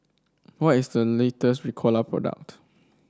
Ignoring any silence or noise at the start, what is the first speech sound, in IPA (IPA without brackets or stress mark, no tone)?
w